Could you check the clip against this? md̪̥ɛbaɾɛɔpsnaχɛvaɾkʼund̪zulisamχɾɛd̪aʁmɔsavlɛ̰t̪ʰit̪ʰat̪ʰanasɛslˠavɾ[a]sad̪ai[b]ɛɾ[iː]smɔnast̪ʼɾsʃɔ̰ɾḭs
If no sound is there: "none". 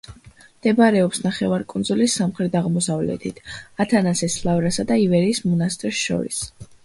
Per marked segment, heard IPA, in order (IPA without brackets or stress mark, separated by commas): a, v, iː